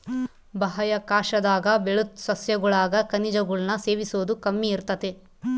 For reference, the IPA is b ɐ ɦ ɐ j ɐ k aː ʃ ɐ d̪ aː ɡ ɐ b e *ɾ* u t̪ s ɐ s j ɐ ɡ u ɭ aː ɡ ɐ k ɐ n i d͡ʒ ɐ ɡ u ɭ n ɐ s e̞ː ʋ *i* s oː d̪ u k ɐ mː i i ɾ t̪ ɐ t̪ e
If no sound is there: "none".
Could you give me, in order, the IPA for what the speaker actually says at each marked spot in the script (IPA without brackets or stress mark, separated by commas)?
ɭ, i